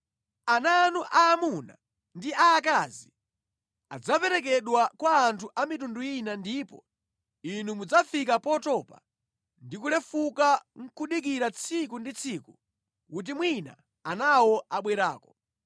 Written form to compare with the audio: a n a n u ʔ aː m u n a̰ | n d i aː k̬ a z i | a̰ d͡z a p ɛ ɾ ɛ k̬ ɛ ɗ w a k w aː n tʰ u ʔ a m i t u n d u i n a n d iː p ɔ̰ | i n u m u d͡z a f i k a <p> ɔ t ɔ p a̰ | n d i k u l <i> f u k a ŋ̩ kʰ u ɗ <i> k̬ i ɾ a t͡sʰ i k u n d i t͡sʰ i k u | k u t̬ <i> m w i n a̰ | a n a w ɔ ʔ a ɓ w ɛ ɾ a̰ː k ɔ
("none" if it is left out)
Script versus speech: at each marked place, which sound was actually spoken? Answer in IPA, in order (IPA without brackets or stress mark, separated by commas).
p, ɛ, i, i